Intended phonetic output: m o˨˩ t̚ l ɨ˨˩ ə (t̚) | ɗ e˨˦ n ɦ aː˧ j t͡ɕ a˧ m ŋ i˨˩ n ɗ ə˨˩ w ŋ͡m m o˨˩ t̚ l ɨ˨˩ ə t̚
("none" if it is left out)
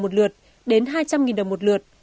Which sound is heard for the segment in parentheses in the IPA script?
t̚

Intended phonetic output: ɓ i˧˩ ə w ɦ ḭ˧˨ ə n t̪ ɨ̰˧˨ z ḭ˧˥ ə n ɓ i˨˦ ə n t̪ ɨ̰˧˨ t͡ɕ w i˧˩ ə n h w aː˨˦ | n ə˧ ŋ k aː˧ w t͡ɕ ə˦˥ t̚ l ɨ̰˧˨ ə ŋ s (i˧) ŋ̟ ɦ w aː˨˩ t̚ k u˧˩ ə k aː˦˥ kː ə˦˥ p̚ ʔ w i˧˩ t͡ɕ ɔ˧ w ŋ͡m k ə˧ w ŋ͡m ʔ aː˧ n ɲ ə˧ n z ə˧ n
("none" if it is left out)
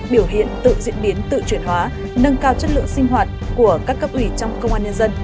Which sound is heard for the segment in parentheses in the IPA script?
i˧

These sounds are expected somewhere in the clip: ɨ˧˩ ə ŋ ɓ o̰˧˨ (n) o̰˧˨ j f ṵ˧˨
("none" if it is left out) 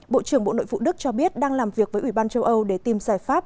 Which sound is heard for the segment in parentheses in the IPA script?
n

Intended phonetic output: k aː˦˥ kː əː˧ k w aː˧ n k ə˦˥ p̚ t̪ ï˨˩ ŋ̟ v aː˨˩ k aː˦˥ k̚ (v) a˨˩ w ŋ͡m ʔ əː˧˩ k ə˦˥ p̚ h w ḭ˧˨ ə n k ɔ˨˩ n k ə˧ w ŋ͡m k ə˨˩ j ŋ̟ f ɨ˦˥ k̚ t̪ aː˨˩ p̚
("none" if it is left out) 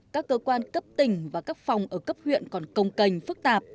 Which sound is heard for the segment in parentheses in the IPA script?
f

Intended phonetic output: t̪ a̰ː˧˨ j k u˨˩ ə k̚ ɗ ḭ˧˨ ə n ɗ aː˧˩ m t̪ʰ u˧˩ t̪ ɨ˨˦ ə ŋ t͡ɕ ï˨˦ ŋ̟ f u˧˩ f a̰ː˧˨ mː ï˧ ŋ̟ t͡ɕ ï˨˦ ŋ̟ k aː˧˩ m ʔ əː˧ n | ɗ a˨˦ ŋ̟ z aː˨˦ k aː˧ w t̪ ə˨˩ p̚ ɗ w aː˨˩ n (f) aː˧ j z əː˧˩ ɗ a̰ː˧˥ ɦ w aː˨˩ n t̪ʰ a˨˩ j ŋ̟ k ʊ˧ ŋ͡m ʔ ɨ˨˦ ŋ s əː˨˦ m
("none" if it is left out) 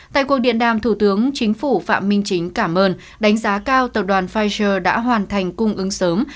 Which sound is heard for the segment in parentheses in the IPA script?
f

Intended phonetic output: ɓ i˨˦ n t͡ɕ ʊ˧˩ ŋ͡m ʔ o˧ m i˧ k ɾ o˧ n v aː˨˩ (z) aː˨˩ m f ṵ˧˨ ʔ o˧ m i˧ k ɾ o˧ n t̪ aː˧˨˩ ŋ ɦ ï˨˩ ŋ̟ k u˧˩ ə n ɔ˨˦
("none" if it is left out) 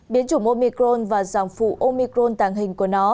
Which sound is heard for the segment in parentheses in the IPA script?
z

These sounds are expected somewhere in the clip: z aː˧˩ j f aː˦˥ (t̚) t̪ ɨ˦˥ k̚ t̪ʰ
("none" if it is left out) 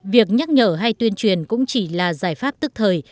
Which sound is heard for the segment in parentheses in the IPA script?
p̚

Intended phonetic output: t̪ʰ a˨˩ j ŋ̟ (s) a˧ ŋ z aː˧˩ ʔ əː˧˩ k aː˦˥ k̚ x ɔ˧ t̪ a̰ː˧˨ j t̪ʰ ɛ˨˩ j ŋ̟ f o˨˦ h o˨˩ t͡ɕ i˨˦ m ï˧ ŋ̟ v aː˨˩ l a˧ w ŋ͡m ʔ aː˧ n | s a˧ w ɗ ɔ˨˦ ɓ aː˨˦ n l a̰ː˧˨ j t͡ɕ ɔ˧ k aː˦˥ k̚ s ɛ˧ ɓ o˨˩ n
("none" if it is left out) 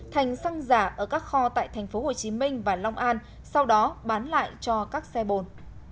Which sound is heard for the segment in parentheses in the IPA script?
s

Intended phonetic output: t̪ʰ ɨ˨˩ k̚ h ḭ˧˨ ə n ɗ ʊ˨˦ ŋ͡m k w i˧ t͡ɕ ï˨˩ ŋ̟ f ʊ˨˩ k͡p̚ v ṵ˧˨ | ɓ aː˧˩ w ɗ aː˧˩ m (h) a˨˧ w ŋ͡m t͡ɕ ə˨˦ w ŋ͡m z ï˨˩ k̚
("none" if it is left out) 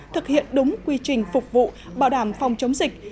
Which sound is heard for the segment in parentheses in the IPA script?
f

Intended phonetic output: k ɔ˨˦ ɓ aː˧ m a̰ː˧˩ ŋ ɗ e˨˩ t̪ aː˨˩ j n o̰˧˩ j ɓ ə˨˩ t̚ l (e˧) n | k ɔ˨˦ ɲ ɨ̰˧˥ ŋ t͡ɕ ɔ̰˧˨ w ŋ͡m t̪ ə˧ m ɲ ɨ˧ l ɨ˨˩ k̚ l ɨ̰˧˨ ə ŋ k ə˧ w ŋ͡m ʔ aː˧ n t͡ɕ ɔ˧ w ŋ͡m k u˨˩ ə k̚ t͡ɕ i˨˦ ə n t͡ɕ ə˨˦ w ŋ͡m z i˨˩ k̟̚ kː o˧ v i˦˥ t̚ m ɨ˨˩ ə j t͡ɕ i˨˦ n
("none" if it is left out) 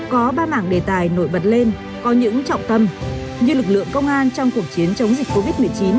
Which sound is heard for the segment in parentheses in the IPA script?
e˧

